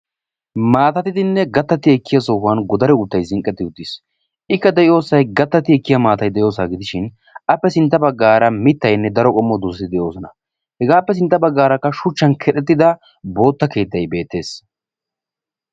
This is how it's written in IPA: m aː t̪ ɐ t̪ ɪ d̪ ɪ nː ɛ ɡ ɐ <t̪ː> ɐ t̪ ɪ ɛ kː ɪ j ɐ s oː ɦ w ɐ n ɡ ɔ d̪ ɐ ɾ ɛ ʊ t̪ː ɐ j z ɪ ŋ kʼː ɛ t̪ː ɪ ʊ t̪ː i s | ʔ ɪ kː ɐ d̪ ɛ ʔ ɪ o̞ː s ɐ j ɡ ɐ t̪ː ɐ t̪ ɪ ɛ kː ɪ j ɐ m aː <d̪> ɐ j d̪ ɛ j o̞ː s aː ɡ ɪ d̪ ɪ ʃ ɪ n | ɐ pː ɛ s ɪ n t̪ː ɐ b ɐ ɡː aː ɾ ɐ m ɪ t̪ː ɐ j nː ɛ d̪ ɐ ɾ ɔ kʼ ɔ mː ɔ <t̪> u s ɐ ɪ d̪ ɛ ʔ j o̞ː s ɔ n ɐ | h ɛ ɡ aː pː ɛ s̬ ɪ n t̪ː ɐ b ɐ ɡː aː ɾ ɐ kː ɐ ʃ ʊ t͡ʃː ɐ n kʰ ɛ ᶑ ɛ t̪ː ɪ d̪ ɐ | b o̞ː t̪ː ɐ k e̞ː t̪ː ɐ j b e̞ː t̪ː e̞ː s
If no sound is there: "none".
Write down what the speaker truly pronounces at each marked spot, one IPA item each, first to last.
t̪ː, t̪, d̪

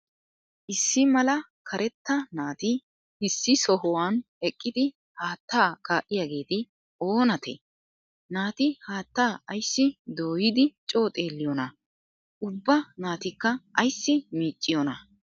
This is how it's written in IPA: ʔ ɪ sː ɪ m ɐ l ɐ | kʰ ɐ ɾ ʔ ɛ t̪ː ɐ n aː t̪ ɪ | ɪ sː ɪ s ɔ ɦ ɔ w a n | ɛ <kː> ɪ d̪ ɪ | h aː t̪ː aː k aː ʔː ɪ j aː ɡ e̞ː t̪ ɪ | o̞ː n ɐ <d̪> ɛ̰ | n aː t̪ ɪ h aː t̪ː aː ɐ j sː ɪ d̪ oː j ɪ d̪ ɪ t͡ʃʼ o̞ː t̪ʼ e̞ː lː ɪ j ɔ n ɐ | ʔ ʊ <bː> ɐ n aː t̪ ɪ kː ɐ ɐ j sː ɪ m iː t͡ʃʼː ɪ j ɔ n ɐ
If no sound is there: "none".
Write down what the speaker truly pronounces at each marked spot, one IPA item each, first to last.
kʼː, t̪, bː

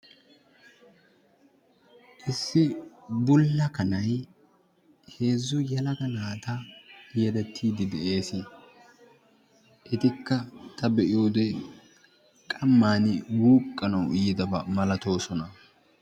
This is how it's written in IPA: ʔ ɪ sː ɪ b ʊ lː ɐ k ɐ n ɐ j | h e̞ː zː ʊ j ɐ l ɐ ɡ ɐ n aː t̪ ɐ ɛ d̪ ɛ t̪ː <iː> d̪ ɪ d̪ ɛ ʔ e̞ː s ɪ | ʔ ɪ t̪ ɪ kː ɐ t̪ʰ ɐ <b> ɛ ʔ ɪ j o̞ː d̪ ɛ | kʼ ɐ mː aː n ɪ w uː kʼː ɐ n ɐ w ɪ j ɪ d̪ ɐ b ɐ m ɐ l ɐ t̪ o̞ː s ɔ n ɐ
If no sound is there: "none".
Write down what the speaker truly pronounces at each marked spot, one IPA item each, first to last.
iː, b

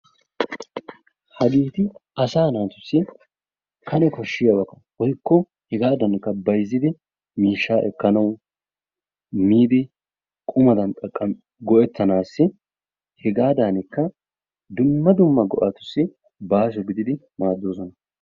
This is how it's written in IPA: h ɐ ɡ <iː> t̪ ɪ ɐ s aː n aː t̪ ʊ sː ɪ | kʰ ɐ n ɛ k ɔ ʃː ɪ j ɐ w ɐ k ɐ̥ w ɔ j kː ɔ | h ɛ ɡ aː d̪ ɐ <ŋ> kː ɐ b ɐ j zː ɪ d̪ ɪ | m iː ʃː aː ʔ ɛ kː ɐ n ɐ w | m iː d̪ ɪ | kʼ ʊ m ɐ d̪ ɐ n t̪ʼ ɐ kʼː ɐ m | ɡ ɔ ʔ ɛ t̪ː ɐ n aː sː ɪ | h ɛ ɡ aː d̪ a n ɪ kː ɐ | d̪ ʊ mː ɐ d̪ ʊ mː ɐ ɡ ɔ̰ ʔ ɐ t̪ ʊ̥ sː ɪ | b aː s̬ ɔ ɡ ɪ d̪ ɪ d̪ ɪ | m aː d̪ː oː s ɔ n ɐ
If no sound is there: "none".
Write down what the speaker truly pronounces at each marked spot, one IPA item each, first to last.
iː, n

